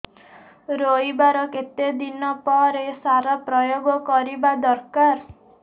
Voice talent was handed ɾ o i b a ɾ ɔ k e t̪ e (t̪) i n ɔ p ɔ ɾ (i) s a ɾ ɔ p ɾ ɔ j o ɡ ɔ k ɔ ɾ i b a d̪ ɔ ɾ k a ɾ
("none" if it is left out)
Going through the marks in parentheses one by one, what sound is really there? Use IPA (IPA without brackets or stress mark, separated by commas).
d̪, e